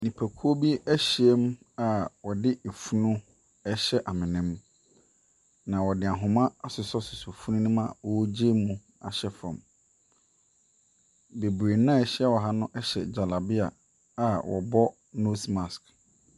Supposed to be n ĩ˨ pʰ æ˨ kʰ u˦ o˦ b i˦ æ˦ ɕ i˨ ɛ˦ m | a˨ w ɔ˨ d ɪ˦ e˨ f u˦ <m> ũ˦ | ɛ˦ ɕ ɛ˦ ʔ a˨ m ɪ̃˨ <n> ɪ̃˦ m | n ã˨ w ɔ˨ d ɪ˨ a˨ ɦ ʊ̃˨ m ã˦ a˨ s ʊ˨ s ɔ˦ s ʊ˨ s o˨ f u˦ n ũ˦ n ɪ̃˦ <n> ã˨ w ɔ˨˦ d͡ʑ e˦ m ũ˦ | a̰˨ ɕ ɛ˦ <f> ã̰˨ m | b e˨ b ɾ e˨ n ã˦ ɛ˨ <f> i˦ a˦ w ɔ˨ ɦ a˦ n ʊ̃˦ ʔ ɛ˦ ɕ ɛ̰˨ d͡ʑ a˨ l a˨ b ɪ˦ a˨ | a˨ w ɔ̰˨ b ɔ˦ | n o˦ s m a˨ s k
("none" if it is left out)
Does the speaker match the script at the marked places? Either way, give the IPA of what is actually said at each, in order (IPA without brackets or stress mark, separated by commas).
n, n, m, f, ɕ